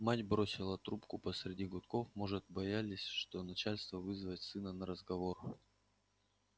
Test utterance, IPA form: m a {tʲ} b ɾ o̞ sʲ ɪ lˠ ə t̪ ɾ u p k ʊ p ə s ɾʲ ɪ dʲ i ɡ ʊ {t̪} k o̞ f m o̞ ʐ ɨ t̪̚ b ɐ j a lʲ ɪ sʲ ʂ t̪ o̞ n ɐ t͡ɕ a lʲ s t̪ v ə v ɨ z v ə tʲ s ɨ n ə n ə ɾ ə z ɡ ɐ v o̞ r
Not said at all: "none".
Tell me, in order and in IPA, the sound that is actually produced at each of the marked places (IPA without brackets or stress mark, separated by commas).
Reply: tʲ, t̪